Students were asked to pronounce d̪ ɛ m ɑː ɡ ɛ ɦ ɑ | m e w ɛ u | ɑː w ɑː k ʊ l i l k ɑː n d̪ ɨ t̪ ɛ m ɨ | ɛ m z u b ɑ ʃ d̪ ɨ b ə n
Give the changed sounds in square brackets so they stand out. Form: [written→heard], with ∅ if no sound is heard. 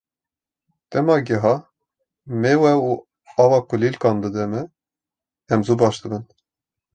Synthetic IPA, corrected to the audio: [d̪→t̪] ɛ m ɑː ɡ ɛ ɦ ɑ | m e w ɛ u | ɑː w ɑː k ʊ l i l k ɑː n d̪ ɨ [t̪→d̪] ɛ m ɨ | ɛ m z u b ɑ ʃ d̪ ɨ b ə n

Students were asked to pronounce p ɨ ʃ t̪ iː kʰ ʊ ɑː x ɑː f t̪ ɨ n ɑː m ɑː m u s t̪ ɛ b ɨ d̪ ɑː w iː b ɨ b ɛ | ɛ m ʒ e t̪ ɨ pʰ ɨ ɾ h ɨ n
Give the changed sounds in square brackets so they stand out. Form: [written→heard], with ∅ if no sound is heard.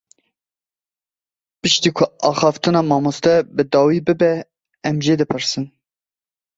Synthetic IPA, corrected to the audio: p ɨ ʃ t̪ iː kʰ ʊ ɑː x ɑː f t̪ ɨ n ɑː m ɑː m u s t̪ ɛ b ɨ d̪ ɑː w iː b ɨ b ɛ | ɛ m ʒ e [t̪→d̪] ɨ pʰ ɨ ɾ [h→s] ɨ n

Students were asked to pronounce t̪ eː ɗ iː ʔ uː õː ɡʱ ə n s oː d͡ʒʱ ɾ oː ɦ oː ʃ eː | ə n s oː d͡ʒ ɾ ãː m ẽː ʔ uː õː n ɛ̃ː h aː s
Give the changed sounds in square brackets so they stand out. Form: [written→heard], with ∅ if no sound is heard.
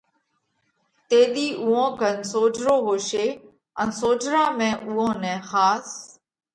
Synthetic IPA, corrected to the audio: t̪ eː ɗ iː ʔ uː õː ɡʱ ə n s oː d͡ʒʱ ɾ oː ɦ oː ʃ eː | ə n s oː d͡ʒ ɾ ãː m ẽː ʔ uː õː n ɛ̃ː [h→x] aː s

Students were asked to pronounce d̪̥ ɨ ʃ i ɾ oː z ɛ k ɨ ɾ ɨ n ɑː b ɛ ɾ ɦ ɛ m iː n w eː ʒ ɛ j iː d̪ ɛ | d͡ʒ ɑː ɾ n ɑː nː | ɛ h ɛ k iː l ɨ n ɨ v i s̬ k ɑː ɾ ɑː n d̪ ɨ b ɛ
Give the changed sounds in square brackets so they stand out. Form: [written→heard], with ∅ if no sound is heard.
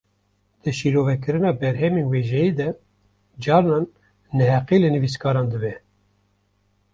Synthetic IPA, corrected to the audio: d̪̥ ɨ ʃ i ɾ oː [z→v] ɛ k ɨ ɾ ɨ n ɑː b ɛ ɾ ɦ ɛ m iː n w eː ʒ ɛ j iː d̪ ɛ | d͡ʒ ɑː ɾ n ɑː nː | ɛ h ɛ [k→q] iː l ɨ n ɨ v i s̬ k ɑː ɾ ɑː n d̪ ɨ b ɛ

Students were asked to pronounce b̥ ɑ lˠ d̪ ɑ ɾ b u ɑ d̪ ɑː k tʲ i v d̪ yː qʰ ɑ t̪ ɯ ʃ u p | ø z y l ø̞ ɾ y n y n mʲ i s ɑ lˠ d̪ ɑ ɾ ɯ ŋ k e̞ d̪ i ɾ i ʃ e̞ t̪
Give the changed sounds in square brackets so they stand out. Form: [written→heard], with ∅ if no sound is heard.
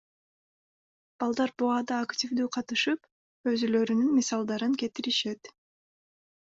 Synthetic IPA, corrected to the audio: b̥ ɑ lˠ d̪ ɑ ɾ b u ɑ d̪ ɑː k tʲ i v d̪ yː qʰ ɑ t̪ ɯ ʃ [u→ɯ] p | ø z y l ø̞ ɾ y n y n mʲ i s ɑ lˠ d̪ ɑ ɾ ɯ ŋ k e̞ [d̪→t̪] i ɾ i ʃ e̞ t̪

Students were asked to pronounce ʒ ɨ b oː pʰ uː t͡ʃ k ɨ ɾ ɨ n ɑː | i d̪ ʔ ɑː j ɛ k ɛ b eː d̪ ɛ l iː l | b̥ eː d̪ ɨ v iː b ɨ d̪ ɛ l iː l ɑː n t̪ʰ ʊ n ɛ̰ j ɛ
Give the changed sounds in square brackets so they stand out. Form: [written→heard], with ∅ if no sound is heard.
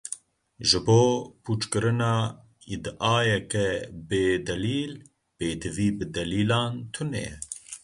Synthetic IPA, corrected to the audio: ʒ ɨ b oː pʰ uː t͡ʃ k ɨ ɾ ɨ n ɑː | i d̪ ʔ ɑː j ɛ k ɛ b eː d̪ ɛ l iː l | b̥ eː d̪ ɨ v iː b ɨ d̪ ɛ l iː l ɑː n t̪ʰ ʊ n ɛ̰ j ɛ

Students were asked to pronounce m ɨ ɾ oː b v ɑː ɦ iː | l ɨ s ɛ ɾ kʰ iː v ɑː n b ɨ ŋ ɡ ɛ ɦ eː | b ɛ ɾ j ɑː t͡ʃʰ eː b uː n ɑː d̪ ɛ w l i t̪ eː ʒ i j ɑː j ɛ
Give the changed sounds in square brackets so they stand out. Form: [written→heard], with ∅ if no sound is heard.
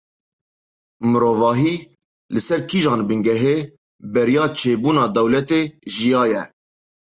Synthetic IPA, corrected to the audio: m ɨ ɾ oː [b→∅] v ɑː ɦ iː | l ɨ s ɛ ɾ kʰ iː [v→ʒ] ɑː n b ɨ ŋ ɡ ɛ ɦ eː | b ɛ ɾ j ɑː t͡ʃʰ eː b uː n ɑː d̪ ɛ w l [i→ɛ] t̪ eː ʒ i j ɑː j ɛ

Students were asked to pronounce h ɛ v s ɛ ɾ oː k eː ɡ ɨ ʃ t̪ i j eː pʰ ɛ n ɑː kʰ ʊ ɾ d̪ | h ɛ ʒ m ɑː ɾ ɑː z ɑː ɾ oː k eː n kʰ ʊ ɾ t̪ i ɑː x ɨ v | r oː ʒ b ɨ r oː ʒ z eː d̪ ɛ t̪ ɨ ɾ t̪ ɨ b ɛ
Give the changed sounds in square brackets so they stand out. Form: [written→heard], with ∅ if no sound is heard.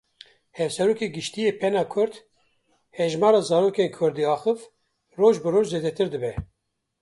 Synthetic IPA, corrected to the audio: h ɛ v s ɛ ɾ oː k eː ɡ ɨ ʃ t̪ i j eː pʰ ɛ n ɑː kʰ ʊ ɾ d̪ | h ɛ ʒ m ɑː ɾ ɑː z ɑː ɾ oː k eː n kʰ ʊ ɾ [t̪→d̪] i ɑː x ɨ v | r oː ʒ b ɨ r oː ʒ z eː d̪ ɛ t̪ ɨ ɾ [t̪→d̪] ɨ b ɛ

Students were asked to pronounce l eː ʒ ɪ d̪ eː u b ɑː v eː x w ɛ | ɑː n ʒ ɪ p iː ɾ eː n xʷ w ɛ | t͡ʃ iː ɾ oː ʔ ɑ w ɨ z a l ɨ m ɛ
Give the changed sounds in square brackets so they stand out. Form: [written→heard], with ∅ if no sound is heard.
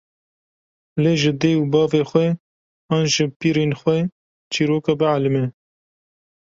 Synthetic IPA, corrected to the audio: l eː ʒ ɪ d̪ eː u b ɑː v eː x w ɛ | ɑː n ʒ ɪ p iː ɾ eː n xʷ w ɛ | t͡ʃ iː ɾ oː [ʔ→k] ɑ [w→b] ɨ [z→ʕ] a l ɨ m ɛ

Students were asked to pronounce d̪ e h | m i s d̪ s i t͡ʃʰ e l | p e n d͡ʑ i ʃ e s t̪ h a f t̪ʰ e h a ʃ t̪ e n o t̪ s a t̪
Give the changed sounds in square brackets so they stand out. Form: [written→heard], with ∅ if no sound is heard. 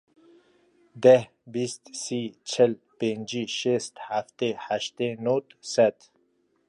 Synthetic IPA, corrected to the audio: d̪ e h | [m→b] i s [d̪→t̪] s i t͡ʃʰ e l | p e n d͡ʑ i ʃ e s t̪ h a f [t̪ʰ→t̪] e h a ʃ t̪ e n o t̪ s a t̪

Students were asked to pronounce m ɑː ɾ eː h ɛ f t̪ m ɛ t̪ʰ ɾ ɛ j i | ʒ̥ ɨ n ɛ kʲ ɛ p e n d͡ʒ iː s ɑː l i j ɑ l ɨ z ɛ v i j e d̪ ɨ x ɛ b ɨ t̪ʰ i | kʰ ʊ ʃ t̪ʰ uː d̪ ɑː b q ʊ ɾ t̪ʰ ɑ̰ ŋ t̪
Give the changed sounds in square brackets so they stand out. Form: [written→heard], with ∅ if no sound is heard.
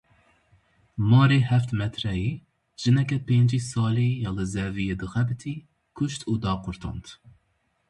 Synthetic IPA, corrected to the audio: m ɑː ɾ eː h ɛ f t̪ m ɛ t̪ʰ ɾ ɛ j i | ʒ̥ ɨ n ɛ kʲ ɛ p e n d͡ʒ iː s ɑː l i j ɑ l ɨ z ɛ v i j e d̪ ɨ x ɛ b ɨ t̪ʰ i | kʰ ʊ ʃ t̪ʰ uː d̪ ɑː [b→∅] q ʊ ɾ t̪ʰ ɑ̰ [ŋ→n] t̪

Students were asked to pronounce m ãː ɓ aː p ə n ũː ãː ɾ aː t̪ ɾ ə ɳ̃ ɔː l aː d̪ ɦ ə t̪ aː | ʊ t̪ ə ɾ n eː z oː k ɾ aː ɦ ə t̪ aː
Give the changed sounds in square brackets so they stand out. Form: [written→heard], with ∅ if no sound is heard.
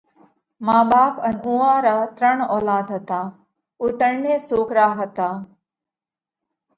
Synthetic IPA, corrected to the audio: m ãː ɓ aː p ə n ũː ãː ɾ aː t̪ ɾ ə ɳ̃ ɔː l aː d̪ ɦ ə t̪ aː | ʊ t̪ ə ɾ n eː [z→s] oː k ɾ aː ɦ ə t̪ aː

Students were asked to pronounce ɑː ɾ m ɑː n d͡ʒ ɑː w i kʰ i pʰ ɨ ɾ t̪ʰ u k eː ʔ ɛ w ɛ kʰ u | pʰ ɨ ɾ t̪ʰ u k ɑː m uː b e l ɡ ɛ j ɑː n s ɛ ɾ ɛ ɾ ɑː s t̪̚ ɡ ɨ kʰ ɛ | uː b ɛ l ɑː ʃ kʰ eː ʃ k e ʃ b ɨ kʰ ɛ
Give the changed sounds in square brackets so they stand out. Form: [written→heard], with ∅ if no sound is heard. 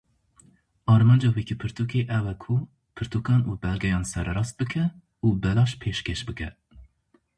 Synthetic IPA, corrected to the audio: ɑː ɾ m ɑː n d͡ʒ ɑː w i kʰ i pʰ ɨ ɾ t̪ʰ u k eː ʔ ɛ w ɛ kʰ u | pʰ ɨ ɾ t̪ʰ u k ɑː [m→n] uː b [e→ɛ] l ɡ ɛ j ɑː n s ɛ ɾ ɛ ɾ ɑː s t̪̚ [ɡ→b] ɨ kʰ ɛ | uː b ɛ l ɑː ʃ [kʰ→pʰ] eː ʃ k e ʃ b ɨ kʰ ɛ

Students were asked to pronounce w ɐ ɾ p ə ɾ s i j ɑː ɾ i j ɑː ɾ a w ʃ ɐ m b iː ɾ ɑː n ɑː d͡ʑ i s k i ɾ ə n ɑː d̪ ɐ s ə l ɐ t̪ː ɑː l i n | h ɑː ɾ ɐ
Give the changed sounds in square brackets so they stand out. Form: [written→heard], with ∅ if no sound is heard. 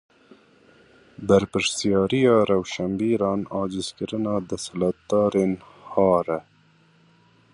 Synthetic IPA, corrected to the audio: [w→b] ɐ ɾ p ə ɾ s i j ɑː ɾ i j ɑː ɾ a w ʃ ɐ m b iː ɾ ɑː n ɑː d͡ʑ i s k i ɾ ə n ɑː d̪ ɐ s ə l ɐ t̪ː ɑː [l→ɾ] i n | h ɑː ɾ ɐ

